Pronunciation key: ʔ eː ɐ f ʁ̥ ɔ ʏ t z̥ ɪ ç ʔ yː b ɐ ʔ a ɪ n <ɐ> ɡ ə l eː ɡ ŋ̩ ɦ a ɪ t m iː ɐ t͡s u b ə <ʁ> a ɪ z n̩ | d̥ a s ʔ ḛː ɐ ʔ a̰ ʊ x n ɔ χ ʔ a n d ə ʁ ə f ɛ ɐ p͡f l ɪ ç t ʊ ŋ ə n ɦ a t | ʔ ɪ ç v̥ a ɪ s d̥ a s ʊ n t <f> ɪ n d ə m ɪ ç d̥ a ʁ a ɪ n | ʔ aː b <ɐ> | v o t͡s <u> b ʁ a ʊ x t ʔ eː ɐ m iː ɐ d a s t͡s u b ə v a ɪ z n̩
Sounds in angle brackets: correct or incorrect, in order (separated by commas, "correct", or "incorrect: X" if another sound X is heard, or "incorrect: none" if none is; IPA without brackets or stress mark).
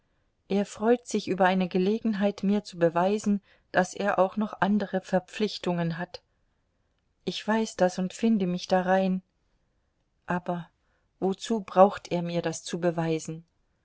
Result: incorrect: ə, incorrect: v, correct, correct, incorrect: uː